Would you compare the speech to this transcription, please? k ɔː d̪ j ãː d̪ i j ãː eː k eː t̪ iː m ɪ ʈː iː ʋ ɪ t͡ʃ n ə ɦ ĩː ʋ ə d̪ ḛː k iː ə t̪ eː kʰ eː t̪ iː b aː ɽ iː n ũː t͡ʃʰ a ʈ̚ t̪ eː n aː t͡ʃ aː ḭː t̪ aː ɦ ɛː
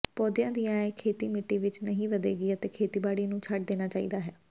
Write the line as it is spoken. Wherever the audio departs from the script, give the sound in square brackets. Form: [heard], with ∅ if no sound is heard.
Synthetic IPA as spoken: [p] ɔː d̪ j ãː d̪ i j ãː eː [kʰ] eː t̪ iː m ɪ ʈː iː ʋ ɪ t͡ʃ n ə ɦ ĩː ʋ ə d̪ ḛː [ɡ] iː ə t̪ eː kʰ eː t̪ iː b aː ɽ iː n ũː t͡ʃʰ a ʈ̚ [d̪] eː n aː t͡ʃ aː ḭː [d̪] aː ɦ ɛː